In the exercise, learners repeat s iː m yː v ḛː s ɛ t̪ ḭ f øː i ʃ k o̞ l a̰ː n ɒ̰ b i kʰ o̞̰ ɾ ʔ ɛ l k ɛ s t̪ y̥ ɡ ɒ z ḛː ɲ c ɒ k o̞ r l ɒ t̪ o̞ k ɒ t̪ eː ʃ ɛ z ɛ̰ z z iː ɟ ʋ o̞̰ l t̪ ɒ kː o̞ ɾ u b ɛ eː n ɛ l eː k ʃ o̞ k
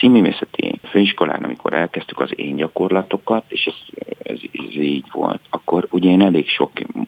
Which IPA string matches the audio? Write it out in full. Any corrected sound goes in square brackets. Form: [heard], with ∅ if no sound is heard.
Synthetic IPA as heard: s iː m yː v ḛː s ɛ t̪ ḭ f øː i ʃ k o̞ l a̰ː n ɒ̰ [m] i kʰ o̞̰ ɾ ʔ ɛ l k ɛ s t̪ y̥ [k] ɒ z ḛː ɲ [ɟ] ɒ k o̞ r l ɒ t̪ o̞ k ɒ t̪ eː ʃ ɛ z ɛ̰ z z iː ɟ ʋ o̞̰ l t̪ ɒ kː o̞ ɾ u [ɟ] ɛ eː n ɛ l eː k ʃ o̞ k